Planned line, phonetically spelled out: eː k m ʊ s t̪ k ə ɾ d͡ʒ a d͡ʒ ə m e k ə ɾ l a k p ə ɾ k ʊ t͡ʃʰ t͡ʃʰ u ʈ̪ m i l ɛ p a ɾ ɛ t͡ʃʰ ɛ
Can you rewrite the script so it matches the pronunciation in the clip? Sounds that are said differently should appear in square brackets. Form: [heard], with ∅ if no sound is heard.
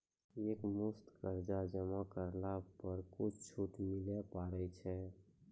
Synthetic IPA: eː k m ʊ s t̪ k ə ɾ d͡ʒ a d͡ʒ ə m [a] k ə ɾ l a [∅] p ə ɾ k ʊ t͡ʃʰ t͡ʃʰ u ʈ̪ m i l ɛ p a ɾ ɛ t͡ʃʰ ɛ

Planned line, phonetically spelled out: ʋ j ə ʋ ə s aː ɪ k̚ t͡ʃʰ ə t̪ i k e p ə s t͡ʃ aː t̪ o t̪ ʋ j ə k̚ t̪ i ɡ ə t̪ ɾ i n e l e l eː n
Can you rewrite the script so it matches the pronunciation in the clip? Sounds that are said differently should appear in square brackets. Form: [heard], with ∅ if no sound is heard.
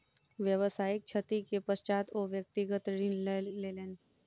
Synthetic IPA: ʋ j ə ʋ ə s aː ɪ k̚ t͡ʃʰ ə t̪ i k e p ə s t͡ʃ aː t̪ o [∅] ʋ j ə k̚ t̪ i ɡ ə t̪ ɾ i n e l e l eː n

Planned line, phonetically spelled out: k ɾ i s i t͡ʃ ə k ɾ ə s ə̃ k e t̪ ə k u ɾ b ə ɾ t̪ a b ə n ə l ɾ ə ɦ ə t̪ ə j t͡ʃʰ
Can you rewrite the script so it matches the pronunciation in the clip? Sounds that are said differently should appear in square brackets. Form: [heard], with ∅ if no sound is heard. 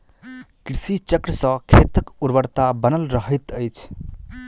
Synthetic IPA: k ɾ i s i t͡ʃ ə k ɾ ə s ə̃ [kʰ] e t̪ ə k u ɾ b ə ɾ t̪ a b ə n ə l ɾ ə ɦ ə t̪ ə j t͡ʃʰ

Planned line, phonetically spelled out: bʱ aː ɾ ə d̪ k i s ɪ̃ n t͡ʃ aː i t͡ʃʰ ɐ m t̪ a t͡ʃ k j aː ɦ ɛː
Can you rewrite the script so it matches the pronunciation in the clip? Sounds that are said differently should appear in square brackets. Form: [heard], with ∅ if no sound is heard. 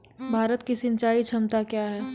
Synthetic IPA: bʱ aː ɾ ə [t̪] k i s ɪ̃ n t͡ʃ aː i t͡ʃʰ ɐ m t̪ a [∅] k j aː ɦ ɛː

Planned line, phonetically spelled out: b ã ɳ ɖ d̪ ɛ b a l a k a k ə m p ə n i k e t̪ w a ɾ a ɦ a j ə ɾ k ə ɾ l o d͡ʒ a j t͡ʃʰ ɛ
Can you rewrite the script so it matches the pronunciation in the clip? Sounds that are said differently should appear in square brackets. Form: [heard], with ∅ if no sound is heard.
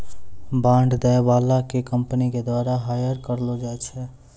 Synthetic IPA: b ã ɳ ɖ d̪ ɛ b a l a k [e] k ə m p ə n i k e [d̪] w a ɾ a ɦ a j ə ɾ k ə ɾ l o d͡ʒ a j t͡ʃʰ ɛ

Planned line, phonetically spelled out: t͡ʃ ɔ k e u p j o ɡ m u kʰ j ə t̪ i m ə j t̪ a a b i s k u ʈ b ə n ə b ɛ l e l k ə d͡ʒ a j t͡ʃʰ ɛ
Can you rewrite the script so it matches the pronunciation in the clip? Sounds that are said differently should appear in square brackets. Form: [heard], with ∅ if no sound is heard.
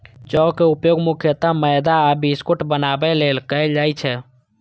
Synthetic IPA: t͡ʃ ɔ k e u p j o ɡ m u kʰ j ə t̪ [a] m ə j [d̪] a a b i s k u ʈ b ə n [a] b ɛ l e l k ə d͡ʒ a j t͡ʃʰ ɛ

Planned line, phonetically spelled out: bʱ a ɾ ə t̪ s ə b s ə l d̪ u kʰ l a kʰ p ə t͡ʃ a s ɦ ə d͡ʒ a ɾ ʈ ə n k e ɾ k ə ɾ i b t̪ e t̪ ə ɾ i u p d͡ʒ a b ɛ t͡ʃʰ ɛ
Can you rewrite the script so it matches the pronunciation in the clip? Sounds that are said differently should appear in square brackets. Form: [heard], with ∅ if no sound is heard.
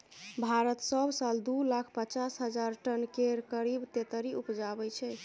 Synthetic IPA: bʱ a ɾ ə t̪ s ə b s [a] l d̪ u [∅] l a kʰ p ə t͡ʃ a s ɦ ə d͡ʒ a ɾ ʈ ə n k e ɾ k ə ɾ i b t̪ e t̪ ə ɾ i u p d͡ʒ a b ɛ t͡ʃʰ ɛ

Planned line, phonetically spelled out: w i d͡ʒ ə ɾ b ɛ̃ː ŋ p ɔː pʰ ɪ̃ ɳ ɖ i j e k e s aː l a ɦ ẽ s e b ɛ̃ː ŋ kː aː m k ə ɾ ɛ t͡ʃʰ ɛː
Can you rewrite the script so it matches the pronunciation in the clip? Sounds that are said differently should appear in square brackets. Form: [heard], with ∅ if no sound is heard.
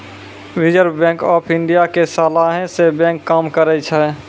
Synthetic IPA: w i d͡ʒ ə ɾ b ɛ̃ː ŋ [k] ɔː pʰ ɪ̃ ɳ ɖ i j [a] k e s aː l a ɦ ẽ s e b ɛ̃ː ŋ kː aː m k ə ɾ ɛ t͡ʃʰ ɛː

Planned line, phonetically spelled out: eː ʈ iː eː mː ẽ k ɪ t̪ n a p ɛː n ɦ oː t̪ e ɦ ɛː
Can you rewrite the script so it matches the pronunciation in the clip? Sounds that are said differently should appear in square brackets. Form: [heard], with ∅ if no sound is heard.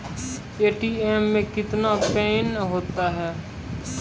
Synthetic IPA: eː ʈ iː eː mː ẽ k ɪ t̪ n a p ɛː n ɦ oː t̪ [a] ɦ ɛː

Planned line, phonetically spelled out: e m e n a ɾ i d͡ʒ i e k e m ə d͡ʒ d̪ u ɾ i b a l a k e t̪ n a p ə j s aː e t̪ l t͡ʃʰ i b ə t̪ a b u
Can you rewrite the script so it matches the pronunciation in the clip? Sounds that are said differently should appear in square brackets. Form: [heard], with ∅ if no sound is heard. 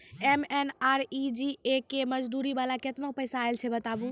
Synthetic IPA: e m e n a ɾ i d͡ʒ i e k e m ə d͡ʒ d̪ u ɾ i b a l a k e t̪ n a p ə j s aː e [∅] l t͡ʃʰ [ɛ] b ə t̪ a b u

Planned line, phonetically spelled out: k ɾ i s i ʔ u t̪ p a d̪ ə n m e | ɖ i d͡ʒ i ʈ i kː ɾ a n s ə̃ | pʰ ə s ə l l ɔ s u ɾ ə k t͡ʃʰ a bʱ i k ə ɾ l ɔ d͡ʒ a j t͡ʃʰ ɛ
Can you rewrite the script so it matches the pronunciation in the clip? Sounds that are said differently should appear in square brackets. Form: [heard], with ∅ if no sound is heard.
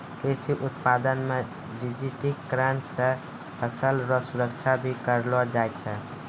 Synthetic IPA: k ɾ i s i ʔ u t̪ p a d̪ ə n m e | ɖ i d͡ʒ i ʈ i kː ɾ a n s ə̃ | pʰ ə s ə l [ɾ] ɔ s u ɾ ə k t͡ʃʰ a bʱ i k ə ɾ l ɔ d͡ʒ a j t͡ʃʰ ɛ

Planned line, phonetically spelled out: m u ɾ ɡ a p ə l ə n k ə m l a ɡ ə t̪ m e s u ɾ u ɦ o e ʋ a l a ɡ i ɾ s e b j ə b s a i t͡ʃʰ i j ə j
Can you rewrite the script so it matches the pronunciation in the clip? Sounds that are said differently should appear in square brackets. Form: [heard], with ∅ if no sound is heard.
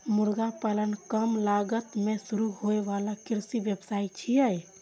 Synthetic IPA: m u ɾ ɡ a p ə l ə n k ə m l a ɡ ə t̪ m e s u ɾ u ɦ o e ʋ a l a [k] i ɾ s [i] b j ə b s a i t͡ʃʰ i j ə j

